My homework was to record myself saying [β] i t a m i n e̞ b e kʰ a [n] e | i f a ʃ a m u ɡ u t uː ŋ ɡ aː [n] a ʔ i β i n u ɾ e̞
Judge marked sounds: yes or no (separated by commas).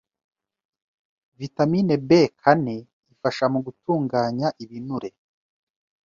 no, yes, no